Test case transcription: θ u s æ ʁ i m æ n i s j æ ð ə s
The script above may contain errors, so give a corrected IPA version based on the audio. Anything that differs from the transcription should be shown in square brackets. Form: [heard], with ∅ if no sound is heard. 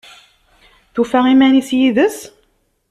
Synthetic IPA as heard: θ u [f] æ ʁ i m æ n i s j [i] ð ə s